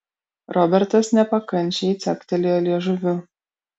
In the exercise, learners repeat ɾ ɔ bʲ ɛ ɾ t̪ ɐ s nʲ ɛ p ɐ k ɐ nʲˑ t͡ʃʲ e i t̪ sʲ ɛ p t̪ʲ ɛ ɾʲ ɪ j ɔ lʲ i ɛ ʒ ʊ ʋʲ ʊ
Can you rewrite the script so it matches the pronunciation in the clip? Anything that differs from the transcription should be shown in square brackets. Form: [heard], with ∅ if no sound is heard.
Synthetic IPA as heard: ɾ ɔ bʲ ɛ ɾ t̪ ɐ s nʲ ɛ p ɐ k ɐ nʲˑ t͡ʃʲ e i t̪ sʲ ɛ [k] t̪ʲ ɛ [lʲ] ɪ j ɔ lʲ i ɛ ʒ ʊ ʋʲ ʊ